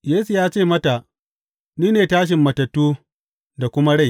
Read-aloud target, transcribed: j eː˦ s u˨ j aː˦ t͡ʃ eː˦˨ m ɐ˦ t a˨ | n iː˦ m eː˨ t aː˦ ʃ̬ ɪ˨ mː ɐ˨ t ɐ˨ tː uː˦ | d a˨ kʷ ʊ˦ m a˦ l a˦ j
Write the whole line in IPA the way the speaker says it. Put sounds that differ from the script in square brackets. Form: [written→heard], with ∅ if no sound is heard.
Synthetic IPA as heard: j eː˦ s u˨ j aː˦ t͡ʃ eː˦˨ m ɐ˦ t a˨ | n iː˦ [m→n] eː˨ t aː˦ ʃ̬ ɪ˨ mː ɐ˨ t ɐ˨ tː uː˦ | d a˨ kʷ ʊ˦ m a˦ [l→ɽ] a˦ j